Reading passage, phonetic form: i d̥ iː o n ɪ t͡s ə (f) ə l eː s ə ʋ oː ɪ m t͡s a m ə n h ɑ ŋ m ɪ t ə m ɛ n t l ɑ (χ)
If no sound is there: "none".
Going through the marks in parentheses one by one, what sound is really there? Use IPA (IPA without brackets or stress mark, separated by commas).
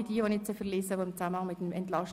f, ʃ